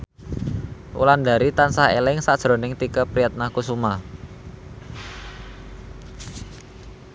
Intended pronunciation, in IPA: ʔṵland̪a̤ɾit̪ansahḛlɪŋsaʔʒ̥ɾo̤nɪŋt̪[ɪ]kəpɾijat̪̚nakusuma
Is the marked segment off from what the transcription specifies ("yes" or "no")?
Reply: yes